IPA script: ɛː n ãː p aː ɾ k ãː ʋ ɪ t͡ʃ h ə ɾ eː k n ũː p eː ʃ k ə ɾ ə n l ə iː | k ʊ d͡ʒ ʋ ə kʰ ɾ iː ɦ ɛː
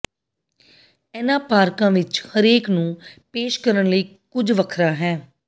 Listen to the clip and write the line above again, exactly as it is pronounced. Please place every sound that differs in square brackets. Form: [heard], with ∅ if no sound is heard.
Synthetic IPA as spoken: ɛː n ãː p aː ɾ k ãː ʋ ɪ t͡ʃ h ə ɾ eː k n ũː p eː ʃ k ə ɾ ə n l ə iː | k ʊ d͡ʒ ʋ ə kʰ ɾ [aː] ɦ ɛː